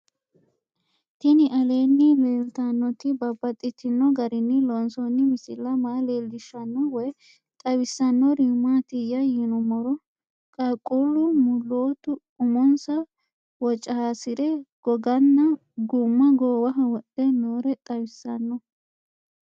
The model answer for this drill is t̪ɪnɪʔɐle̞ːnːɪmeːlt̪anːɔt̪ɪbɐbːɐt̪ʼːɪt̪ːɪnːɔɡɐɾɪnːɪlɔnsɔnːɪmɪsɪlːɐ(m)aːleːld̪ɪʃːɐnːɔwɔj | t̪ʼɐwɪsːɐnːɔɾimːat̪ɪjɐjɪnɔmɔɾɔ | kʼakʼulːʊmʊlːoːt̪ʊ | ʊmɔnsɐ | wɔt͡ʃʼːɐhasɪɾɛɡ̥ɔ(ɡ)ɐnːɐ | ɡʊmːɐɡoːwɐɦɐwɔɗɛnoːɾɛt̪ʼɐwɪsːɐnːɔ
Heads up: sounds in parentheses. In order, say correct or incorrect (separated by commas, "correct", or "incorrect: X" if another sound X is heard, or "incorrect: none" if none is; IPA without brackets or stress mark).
correct, correct